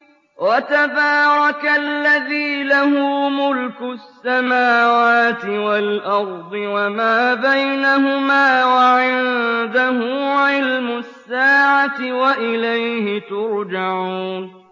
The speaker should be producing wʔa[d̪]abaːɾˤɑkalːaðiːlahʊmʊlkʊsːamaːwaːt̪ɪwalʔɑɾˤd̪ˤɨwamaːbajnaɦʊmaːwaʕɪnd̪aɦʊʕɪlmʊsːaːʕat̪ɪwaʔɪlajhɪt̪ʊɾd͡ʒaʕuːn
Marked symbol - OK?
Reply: no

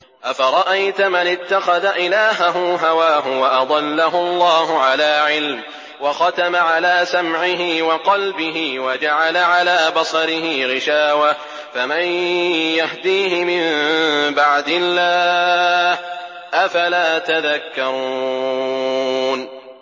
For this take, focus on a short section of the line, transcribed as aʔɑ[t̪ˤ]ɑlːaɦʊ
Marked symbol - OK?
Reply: no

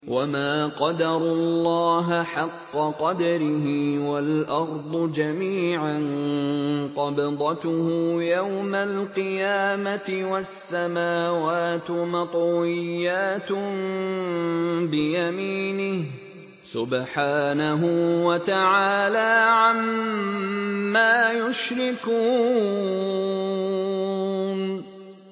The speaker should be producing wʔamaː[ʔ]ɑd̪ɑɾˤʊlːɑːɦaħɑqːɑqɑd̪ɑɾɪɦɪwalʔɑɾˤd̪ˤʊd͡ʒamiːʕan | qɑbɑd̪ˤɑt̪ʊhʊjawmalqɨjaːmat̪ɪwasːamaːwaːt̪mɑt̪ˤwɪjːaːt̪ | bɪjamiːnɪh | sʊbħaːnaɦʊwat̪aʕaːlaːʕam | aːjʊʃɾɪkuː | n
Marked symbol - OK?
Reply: no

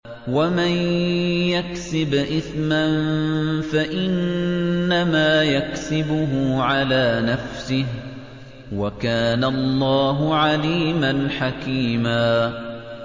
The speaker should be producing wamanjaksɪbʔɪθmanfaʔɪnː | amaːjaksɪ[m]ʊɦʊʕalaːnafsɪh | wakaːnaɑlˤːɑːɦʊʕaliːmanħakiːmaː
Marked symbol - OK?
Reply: no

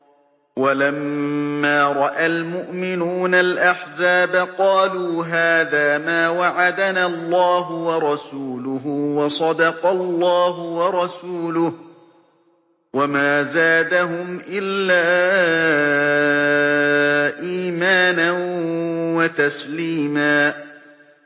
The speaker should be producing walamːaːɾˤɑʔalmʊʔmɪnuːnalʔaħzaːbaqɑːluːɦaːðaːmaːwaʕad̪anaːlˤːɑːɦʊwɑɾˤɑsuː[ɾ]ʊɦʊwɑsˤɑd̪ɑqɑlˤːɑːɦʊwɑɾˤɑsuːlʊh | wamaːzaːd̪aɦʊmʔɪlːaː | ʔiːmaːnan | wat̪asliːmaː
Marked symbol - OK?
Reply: no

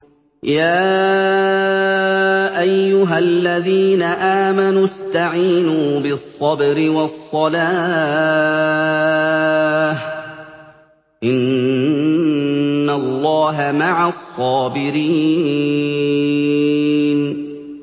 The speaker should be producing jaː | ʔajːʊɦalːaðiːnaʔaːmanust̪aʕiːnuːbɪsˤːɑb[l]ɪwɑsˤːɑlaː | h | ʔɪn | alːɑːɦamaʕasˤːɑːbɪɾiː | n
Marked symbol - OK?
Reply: no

